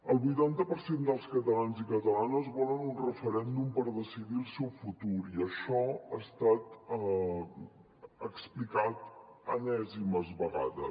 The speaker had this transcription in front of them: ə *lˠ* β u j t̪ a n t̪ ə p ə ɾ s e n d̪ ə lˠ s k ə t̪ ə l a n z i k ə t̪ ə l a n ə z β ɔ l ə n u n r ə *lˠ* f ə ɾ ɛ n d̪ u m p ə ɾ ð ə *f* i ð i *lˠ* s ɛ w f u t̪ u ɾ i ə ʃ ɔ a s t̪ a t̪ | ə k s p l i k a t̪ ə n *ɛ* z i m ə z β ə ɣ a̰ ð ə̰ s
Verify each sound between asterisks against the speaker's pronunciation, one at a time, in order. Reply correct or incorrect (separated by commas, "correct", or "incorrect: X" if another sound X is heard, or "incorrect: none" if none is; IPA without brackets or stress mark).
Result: correct, incorrect: none, incorrect: s, correct, correct